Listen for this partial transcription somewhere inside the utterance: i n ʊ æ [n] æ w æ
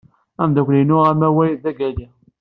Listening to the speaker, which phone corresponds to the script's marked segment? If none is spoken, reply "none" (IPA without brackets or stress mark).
m